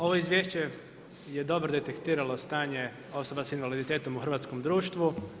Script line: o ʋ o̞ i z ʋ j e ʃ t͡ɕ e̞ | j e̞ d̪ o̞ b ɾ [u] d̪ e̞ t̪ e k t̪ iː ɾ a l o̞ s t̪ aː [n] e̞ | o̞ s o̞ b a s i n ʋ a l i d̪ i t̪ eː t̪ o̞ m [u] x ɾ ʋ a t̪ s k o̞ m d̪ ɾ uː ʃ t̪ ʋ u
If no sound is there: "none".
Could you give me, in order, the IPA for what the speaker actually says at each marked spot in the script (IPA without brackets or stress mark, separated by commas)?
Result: o, ɲ, u